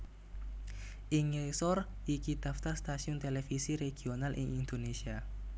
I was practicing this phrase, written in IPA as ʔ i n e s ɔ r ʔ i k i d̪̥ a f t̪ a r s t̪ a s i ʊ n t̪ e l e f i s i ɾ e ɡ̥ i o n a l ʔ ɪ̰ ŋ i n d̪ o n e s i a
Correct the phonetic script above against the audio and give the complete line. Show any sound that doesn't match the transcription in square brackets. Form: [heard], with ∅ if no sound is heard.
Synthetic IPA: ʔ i [ŋ] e s ɔ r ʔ i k i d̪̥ a f t̪ a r s t̪ a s i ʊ n t̪ e l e f i s i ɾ e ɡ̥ i o n a l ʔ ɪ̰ ŋ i n d̪ o n e s i a